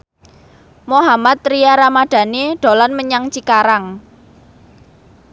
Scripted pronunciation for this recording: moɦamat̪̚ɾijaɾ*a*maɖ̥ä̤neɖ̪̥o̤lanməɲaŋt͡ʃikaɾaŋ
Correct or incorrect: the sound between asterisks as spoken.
correct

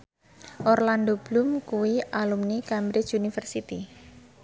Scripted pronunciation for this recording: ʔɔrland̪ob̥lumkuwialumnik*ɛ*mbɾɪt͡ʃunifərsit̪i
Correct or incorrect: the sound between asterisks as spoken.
incorrect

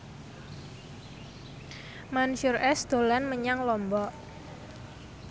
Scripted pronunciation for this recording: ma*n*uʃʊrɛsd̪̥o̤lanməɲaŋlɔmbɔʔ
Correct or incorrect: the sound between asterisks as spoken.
correct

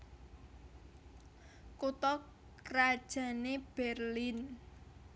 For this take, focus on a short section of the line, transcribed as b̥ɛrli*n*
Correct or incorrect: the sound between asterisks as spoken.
correct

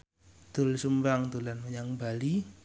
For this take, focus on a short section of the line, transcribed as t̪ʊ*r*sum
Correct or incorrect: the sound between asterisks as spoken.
incorrect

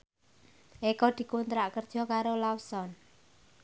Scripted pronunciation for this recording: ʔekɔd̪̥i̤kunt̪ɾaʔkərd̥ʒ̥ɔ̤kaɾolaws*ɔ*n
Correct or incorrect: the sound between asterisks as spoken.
correct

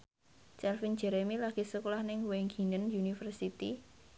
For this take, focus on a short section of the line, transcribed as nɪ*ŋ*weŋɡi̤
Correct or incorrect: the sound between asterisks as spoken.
correct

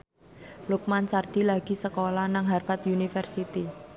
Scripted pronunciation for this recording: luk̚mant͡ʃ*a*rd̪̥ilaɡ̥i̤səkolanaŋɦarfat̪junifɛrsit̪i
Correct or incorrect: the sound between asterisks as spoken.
correct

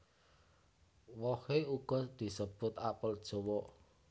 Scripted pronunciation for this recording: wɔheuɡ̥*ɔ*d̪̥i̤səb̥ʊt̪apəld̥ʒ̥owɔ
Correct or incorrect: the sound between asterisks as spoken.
correct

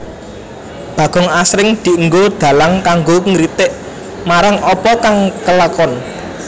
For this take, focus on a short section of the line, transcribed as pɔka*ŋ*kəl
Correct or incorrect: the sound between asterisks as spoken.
correct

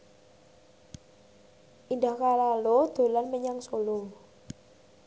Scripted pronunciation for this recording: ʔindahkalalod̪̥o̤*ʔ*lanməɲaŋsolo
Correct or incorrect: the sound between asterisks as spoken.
incorrect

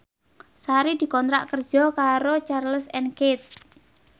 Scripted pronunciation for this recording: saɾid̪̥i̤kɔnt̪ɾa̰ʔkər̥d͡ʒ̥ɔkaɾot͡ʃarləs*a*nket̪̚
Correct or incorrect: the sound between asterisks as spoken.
incorrect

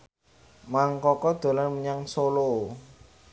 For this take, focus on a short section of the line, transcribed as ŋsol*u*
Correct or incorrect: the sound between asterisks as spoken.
incorrect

